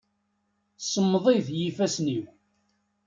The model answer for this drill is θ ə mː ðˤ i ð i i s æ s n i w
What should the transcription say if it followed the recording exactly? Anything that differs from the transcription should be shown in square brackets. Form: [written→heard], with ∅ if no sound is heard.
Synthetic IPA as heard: [θ→s] ə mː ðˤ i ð [i→j] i [s→f] æ s n i w